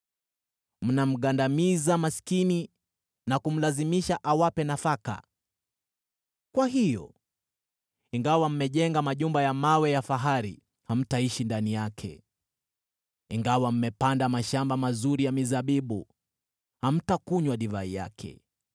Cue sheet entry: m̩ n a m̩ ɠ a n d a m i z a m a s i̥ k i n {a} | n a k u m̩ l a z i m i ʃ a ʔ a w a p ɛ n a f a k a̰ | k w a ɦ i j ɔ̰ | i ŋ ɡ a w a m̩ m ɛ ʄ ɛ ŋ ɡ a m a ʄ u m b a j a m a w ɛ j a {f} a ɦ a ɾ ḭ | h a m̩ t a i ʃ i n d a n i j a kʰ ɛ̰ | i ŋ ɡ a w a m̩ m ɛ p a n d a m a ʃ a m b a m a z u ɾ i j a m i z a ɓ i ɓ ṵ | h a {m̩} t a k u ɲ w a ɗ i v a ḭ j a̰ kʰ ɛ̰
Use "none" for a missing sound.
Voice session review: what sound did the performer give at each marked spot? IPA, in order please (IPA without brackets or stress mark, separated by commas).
i, f, m̩